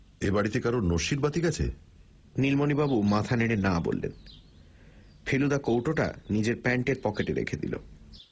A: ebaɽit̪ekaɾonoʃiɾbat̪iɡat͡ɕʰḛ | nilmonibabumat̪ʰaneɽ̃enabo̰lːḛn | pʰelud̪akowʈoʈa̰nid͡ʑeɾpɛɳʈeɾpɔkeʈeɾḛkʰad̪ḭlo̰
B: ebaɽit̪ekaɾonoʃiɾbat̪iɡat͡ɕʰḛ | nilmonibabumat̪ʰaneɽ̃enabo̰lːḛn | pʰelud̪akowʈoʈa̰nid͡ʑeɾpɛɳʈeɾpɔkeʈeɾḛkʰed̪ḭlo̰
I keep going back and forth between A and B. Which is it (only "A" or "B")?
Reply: B